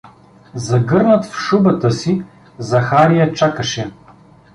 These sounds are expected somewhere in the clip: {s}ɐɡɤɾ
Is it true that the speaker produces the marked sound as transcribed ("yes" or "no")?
no